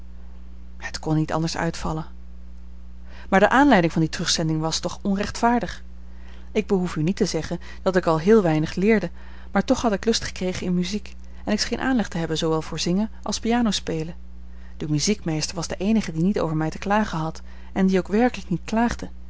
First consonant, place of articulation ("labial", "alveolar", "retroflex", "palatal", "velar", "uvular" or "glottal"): glottal